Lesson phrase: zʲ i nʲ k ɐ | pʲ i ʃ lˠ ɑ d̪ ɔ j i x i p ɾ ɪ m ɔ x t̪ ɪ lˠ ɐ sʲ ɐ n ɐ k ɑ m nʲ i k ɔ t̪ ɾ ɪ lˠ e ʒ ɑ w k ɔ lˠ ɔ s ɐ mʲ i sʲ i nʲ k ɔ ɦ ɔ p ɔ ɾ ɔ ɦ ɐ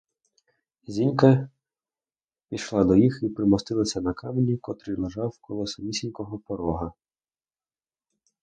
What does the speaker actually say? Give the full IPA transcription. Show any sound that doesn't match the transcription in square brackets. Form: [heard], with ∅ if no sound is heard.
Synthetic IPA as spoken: zʲ i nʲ k ɐ | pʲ i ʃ lˠ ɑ d̪ ɔ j i x i p ɾ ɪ m ɔ [s] t̪ ɪ lˠ ɐ sʲ ɐ n ɐ k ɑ m nʲ i k ɔ t̪ ɾ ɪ lˠ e ʒ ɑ w k ɔ lˠ ɔ s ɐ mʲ i sʲ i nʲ k ɔ ɦ ɔ p ɔ ɾ ɔ ɦ ɐ